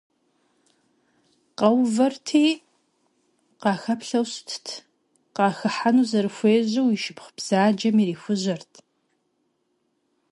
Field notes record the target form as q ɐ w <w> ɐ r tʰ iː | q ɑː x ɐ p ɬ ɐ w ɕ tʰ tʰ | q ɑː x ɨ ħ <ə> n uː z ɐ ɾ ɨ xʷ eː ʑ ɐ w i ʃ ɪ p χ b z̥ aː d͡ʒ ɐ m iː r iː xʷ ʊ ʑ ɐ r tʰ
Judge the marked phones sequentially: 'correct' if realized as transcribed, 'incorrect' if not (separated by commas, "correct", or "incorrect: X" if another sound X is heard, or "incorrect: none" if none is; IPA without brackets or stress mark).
incorrect: v, incorrect: a